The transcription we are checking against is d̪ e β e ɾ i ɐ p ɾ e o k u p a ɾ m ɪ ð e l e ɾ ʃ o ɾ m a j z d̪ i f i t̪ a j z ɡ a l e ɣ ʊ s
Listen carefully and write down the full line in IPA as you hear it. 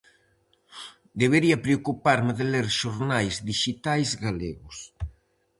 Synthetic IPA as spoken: d̪ e β e ɾ i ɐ p ɾ e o k u p a ɾ m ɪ ð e l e ɾ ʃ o ɾ n a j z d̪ i ʃ i t̪ a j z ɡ a l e ɣ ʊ s